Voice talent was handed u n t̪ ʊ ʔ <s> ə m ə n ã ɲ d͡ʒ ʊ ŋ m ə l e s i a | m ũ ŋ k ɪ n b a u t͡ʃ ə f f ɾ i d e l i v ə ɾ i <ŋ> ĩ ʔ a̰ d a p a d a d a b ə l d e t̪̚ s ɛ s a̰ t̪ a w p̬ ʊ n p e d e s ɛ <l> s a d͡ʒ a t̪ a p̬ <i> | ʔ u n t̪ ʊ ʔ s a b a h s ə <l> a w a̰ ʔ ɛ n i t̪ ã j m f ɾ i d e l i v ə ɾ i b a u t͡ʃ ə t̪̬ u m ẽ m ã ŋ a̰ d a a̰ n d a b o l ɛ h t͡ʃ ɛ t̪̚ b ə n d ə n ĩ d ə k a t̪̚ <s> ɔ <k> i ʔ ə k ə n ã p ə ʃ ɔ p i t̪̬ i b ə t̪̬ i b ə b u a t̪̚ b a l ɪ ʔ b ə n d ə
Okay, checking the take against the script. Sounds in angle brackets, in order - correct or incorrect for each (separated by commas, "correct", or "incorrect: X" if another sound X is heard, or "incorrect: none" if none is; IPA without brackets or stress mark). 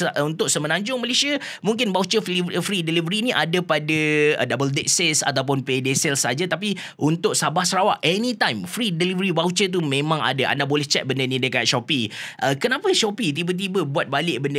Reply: correct, incorrect: n, correct, correct, incorrect: ɾ, incorrect: ʃ, incorrect: p